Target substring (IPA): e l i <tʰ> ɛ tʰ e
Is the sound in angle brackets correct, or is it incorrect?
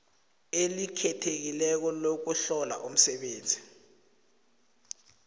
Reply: incorrect